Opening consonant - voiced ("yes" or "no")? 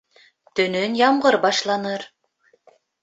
no